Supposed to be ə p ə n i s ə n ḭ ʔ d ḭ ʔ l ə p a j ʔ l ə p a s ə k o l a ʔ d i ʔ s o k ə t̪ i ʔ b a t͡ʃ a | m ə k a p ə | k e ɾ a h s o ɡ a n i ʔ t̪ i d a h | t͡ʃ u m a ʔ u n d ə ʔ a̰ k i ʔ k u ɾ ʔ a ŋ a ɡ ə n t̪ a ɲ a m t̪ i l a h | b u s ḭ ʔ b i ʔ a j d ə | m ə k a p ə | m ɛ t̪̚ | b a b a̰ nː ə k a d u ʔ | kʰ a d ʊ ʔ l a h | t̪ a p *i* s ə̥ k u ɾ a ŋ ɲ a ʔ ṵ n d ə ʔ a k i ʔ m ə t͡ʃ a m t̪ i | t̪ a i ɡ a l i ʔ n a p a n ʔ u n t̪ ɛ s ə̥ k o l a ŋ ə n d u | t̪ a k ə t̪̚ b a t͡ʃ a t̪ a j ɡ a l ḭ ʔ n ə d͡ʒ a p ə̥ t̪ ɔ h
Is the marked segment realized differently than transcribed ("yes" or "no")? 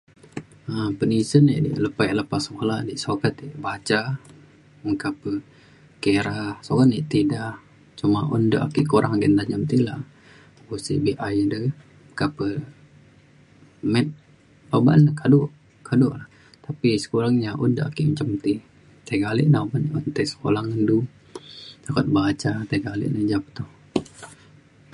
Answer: no